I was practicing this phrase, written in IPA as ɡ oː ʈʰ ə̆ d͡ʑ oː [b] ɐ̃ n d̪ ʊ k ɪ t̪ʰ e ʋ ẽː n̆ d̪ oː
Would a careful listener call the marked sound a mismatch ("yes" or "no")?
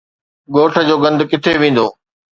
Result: yes